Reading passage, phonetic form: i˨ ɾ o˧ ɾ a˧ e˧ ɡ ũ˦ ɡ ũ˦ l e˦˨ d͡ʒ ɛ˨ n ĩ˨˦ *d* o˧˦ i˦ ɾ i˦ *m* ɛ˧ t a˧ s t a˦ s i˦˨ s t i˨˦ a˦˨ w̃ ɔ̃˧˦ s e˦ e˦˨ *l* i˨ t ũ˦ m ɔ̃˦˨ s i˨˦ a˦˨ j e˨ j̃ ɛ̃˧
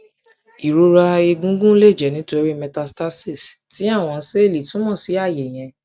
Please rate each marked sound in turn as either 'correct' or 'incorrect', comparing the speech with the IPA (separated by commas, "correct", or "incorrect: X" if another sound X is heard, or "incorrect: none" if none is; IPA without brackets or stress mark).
incorrect: t, correct, correct